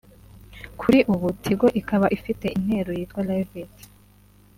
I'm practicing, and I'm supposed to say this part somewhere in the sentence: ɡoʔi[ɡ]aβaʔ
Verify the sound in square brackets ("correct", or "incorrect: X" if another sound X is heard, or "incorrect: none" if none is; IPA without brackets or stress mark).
incorrect: k